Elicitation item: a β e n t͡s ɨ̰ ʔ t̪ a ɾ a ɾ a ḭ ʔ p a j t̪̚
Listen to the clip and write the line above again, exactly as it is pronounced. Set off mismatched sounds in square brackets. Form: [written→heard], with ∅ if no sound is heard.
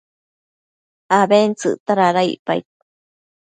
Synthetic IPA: a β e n t͡s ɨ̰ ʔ t̪ a ɾ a ɾ a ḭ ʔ p a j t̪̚